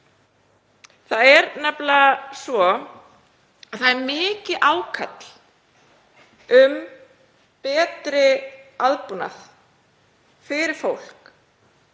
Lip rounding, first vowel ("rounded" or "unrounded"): unrounded